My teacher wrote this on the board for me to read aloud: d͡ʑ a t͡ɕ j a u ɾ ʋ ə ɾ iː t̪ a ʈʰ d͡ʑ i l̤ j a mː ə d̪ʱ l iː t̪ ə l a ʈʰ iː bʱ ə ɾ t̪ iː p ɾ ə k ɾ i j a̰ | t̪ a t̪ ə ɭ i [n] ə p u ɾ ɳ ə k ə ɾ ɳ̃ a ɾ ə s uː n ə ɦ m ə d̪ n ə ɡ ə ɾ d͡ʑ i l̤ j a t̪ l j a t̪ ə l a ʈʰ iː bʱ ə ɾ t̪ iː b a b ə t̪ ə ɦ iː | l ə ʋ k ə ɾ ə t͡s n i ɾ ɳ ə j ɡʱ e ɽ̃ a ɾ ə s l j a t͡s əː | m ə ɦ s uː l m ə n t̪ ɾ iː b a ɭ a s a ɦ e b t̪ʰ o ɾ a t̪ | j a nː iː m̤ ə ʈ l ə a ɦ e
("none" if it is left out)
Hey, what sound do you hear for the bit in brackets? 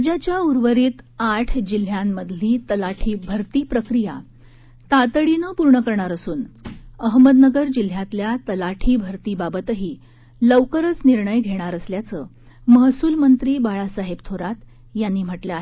n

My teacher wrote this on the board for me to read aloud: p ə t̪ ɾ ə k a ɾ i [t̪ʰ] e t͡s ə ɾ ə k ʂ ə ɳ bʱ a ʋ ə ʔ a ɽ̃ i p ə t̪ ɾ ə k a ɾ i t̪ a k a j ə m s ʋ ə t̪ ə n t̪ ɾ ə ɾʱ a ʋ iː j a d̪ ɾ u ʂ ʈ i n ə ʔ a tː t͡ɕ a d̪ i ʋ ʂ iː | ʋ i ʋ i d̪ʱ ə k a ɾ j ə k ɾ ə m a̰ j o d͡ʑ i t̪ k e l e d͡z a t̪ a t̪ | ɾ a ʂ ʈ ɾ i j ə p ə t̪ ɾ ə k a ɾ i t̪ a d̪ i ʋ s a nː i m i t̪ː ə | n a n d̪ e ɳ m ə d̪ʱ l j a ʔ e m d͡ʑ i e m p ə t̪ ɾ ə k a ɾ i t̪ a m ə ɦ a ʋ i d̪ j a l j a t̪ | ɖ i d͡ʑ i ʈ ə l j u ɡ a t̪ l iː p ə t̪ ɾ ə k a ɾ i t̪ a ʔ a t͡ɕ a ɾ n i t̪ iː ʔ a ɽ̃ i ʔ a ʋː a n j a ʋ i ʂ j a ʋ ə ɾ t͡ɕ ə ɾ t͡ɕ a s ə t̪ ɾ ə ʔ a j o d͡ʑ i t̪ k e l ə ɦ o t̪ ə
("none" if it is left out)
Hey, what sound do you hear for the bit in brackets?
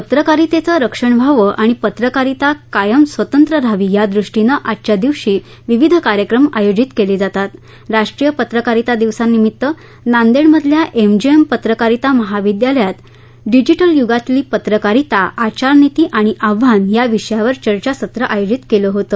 t̪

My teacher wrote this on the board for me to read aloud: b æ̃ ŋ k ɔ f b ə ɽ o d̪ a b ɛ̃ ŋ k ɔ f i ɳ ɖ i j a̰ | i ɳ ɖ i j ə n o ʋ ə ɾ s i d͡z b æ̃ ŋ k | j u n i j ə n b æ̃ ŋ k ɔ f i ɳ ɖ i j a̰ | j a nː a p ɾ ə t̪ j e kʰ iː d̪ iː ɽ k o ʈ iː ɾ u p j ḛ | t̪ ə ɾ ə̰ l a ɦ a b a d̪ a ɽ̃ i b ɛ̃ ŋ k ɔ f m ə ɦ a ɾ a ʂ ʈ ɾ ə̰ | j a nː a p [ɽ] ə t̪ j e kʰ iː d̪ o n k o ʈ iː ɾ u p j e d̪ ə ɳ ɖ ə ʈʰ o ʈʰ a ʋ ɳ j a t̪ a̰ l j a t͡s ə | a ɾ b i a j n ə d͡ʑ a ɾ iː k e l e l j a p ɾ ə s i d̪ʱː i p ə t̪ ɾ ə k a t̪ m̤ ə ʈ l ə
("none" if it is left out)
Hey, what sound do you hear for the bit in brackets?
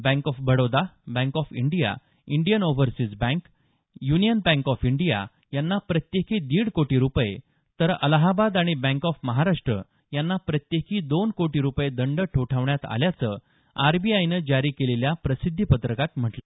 ɾ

